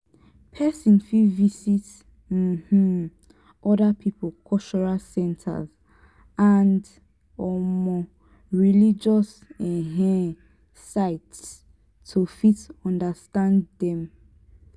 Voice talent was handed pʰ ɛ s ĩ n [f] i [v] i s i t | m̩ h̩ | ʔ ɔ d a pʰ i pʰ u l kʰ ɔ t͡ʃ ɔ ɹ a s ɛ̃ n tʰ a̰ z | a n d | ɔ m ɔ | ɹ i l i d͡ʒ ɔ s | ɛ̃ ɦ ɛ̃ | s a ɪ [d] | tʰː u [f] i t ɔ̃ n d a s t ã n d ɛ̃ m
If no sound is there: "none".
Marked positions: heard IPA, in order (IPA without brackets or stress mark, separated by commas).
f, v, t, f